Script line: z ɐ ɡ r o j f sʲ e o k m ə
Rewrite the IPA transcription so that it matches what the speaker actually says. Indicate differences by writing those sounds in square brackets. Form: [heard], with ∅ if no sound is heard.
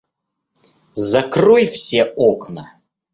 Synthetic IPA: z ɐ [k] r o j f sʲ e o k [n] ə